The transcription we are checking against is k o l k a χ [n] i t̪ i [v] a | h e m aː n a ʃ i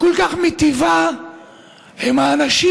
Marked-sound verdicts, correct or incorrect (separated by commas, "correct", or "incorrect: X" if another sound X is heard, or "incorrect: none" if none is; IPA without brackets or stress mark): incorrect: m, correct